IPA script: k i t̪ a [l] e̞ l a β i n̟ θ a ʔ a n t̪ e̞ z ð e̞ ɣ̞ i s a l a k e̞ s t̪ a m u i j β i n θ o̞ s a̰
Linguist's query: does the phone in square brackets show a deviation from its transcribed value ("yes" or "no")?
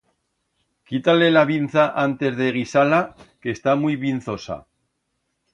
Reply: no